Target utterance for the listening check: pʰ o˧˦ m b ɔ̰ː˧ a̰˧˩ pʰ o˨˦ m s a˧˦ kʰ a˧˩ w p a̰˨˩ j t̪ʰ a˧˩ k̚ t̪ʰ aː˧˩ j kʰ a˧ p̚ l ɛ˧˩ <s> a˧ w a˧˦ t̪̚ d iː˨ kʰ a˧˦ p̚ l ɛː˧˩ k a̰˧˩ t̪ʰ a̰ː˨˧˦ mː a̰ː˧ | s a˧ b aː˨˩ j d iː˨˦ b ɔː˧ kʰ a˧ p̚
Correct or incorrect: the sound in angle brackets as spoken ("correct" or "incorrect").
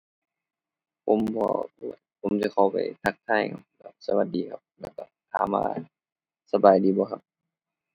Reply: correct